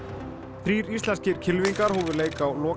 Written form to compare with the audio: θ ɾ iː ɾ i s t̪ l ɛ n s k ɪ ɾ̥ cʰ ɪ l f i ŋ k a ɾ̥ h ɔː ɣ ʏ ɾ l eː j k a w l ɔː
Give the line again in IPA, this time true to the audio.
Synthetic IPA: θ ɾ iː ɾ i s t̪ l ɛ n s c ɪ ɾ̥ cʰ ɪ l v i ŋ k a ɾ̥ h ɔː v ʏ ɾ l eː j k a w l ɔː